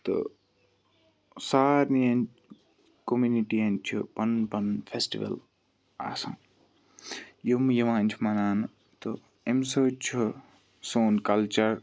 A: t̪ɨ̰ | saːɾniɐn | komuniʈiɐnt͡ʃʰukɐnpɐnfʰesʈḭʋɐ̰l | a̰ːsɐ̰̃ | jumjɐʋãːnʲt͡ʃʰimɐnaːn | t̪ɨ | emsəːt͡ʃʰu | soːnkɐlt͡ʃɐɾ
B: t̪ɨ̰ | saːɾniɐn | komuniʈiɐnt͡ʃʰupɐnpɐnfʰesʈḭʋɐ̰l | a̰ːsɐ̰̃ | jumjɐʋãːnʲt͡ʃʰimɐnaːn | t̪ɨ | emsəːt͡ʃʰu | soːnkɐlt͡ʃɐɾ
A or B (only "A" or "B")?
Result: B